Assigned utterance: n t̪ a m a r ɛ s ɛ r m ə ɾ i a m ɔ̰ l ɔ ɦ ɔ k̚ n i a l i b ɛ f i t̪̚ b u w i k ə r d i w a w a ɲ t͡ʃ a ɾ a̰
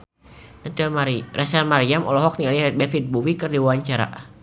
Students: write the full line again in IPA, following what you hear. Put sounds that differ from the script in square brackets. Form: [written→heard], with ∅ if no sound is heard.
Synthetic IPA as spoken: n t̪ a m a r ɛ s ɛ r m [ə→a] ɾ i a m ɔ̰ l ɔ ɦ ɔ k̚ n i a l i b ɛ f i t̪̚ b u w i k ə r d i w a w a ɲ t͡ʃ a ɾ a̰